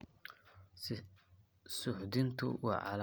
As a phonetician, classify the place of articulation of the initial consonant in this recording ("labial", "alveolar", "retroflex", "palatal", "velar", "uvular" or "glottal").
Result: alveolar